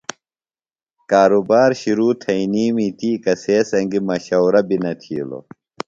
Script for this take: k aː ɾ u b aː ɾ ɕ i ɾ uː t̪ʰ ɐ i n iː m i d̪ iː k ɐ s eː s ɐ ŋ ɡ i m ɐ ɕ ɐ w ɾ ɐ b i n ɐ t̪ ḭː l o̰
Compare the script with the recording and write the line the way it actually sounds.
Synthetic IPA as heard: k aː ɾ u b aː ɾ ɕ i ɾ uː t̪ʰ ɐ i n iː m i t̪ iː k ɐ s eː s ɐ ŋ ɡ i m ɐ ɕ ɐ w ɾ ɐ b i n ɐ t̪ʰ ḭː l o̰